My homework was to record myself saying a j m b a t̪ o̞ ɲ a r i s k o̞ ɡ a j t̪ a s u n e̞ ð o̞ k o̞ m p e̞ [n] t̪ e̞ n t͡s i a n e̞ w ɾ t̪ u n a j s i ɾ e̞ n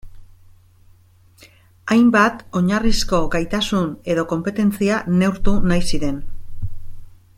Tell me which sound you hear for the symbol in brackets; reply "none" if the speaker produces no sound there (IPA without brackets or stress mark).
none